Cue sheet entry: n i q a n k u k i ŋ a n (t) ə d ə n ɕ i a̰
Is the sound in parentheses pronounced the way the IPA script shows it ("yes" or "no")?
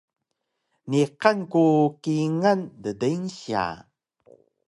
no